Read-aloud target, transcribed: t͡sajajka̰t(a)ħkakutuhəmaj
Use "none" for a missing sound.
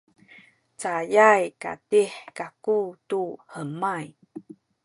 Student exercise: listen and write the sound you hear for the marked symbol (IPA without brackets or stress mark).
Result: i